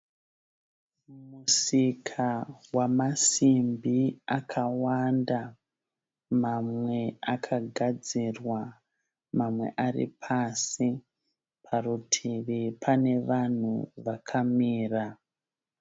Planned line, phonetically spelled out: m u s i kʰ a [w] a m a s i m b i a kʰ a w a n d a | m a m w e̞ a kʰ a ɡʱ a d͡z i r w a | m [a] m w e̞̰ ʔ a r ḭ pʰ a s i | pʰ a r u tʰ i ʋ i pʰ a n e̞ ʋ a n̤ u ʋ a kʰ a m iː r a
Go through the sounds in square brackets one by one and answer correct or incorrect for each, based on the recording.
correct, correct

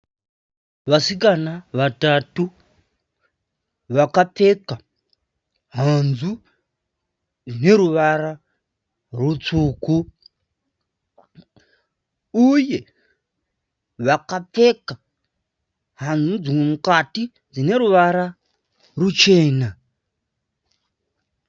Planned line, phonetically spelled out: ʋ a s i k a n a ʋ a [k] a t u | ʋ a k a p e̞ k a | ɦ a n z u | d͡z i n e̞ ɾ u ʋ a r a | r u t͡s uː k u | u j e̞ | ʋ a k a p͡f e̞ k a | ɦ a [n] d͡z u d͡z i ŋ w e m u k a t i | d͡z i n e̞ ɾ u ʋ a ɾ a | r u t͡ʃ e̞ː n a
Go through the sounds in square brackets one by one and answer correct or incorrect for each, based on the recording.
incorrect: t, correct

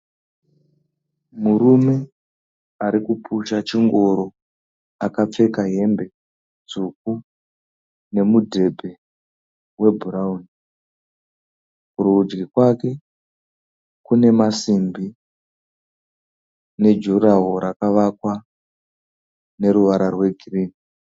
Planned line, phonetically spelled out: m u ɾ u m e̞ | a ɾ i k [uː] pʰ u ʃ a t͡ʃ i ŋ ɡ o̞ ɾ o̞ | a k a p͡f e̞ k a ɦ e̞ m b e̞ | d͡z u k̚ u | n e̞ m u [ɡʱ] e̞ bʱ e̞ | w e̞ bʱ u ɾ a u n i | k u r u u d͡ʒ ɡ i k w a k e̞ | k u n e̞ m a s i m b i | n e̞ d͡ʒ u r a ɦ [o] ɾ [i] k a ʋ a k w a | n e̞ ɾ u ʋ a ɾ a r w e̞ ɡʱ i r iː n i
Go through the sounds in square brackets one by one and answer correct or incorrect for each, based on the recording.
incorrect: u, incorrect: dʱ, correct, incorrect: a

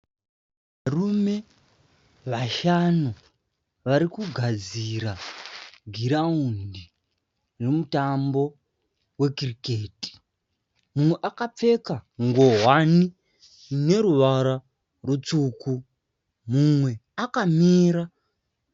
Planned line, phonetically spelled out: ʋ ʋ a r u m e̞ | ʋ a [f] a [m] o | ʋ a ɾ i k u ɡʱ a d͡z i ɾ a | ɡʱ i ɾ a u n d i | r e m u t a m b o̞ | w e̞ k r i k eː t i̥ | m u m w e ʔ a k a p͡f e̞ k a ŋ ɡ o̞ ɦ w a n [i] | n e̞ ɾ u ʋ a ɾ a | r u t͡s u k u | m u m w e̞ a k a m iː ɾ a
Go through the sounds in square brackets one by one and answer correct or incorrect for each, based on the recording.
incorrect: ʃ, incorrect: n, correct

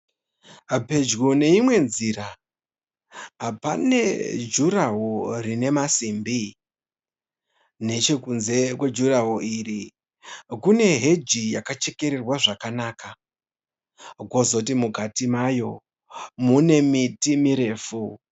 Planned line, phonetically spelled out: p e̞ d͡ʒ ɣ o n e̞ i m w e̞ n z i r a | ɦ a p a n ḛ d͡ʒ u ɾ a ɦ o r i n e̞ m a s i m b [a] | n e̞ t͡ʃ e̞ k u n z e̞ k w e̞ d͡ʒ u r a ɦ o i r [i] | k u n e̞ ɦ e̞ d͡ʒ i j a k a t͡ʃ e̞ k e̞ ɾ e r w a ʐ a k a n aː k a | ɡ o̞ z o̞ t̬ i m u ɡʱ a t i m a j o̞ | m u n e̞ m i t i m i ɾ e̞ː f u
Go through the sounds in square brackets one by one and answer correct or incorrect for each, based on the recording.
incorrect: i, correct

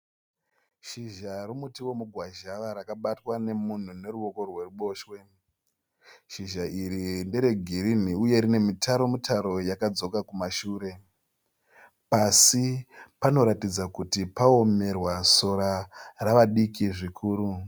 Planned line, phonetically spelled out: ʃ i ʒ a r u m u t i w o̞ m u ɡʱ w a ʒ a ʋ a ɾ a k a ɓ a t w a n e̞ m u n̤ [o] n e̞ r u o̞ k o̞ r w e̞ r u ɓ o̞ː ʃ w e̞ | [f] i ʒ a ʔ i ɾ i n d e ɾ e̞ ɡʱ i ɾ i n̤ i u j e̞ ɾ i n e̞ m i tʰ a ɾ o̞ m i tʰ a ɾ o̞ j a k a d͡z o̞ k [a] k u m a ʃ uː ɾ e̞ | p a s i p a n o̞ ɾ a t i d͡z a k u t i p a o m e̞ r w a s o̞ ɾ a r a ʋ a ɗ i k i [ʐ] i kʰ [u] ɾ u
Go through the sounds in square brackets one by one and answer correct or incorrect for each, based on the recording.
incorrect: u, incorrect: ʃ, correct, correct, incorrect: uː

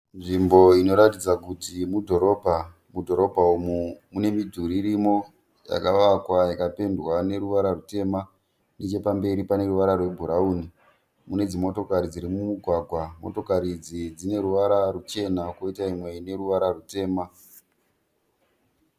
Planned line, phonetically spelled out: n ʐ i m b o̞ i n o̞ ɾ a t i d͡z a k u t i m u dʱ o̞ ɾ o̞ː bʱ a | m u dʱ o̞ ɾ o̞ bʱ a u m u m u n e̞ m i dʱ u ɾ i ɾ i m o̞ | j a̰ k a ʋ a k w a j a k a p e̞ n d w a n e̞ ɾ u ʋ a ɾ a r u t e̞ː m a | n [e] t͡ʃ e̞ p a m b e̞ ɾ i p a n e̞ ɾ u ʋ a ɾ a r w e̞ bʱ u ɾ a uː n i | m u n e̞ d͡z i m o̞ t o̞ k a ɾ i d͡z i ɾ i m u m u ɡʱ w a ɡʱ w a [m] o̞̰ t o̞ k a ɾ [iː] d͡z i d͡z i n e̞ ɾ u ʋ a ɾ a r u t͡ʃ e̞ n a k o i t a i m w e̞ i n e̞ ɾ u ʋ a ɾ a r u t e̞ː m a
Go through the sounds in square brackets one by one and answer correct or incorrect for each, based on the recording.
correct, correct, incorrect: i

